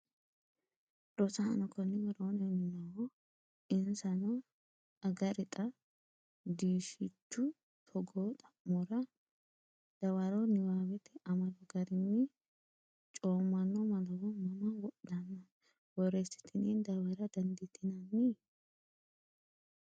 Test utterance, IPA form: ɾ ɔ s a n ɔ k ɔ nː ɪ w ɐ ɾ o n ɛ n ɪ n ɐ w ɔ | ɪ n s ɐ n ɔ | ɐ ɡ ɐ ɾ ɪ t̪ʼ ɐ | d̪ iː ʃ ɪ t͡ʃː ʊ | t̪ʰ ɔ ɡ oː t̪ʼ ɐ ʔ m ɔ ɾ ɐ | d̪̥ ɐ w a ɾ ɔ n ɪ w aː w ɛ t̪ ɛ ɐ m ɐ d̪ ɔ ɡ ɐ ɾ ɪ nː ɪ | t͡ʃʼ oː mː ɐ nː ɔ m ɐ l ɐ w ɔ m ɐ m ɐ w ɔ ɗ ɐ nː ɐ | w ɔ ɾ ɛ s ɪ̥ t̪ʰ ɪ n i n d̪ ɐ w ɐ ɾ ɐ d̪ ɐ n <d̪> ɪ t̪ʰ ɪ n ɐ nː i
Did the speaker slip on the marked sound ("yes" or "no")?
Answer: no